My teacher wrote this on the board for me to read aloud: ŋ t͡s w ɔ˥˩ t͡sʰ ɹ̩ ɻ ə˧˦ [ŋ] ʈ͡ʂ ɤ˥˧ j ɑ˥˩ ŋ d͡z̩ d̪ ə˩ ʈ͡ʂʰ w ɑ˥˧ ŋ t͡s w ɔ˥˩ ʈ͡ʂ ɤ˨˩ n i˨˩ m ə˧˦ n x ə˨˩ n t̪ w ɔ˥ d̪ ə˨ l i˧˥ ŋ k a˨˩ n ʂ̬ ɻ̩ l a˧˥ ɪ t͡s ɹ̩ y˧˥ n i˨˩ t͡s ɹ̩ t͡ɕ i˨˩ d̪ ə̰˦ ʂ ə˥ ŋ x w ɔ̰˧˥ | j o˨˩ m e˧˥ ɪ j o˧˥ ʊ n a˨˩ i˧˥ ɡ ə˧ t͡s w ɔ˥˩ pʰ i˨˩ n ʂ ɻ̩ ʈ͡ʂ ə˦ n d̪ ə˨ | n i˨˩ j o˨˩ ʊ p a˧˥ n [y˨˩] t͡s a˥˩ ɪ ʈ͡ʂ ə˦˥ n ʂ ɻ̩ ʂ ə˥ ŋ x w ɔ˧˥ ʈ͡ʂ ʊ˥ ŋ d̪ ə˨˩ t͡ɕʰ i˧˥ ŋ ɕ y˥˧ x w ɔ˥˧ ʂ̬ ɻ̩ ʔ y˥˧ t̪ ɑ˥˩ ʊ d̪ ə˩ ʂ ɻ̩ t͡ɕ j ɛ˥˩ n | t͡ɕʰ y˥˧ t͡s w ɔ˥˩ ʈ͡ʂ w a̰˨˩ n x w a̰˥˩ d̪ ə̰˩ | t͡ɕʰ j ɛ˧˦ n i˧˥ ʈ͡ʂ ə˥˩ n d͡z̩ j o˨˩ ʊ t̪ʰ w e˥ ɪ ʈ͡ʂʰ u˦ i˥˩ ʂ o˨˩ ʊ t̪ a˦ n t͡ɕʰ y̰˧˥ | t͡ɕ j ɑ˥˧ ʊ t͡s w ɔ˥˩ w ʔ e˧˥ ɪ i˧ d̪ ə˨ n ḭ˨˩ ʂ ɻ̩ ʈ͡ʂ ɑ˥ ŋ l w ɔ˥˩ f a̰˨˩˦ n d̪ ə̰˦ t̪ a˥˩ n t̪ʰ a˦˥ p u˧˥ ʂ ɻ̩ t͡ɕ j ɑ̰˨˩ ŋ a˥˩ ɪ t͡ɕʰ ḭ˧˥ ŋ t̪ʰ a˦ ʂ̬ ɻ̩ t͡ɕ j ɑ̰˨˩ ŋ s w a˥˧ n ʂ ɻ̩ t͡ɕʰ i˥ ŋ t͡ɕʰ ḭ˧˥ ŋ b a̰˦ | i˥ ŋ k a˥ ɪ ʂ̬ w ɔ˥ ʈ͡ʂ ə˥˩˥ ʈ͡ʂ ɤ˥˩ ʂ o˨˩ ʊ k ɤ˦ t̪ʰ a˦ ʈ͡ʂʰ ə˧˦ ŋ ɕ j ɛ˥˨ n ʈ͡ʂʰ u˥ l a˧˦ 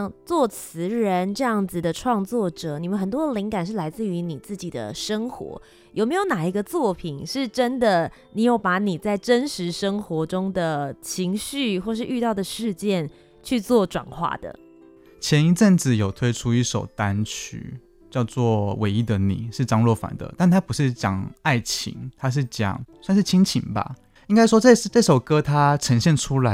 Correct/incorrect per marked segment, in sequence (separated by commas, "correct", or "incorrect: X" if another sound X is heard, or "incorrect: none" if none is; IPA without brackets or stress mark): incorrect: n, incorrect: i˨˩